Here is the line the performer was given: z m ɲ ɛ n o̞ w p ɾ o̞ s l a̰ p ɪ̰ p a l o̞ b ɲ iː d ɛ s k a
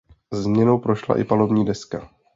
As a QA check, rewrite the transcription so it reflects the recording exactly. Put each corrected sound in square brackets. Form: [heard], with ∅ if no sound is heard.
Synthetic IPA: z m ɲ ɛ n o̞ w p ɾ o̞ [ʃ] l a̰ [ʔ] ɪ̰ p a l o̞ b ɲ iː d ɛ s k a